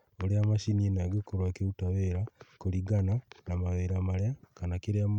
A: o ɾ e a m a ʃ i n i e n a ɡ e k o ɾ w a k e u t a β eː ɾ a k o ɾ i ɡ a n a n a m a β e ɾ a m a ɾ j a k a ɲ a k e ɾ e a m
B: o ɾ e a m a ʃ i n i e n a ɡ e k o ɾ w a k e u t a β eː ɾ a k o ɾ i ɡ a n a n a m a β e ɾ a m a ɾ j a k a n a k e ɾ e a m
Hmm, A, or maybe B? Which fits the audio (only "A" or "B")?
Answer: B